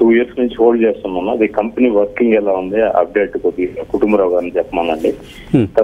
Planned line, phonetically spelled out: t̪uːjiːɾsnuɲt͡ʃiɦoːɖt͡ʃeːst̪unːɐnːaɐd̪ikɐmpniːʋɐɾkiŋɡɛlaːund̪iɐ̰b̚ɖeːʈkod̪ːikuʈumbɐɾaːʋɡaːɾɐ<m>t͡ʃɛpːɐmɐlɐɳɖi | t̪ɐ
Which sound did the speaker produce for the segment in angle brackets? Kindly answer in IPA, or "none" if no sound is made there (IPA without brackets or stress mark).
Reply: n